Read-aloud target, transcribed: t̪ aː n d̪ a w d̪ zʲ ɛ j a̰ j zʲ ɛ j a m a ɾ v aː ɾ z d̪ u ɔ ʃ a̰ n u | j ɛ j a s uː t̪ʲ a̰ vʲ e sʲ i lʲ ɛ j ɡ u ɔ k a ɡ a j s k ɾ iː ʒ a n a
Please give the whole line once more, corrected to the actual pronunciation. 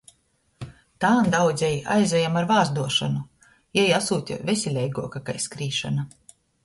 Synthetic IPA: t̪ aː n d̪ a w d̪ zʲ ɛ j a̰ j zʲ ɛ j a m a ɾ v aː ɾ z d̪ u ɔ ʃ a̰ n u | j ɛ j a s uː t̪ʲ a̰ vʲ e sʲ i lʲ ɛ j ɡ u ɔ k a k a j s k ɾ iː ʃ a n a